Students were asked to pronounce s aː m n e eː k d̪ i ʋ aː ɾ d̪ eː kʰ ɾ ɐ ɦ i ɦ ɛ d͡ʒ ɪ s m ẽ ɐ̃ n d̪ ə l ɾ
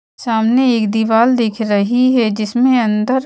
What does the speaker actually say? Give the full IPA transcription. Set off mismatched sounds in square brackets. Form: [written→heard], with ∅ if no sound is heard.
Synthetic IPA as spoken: s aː m n e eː k d̪ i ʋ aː [ɾ→l] d̪ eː kʰ ɾ ɐ ɦ i ɦ ɛ d͡ʒ ɪ s m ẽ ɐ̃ n d̪ ə [l→∅] ɾ